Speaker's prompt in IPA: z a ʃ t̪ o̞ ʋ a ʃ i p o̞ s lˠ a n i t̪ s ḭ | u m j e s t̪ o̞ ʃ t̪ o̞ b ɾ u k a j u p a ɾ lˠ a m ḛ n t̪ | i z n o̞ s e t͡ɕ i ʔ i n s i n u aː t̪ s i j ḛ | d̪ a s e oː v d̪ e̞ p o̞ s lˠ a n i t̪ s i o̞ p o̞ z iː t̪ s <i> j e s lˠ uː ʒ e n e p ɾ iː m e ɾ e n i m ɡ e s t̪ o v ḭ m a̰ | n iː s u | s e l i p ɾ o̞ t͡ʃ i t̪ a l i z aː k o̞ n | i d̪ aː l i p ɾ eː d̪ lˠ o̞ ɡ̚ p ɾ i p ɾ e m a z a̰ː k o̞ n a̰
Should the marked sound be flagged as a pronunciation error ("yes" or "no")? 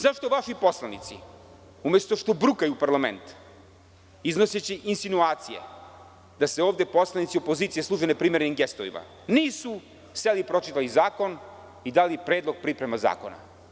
no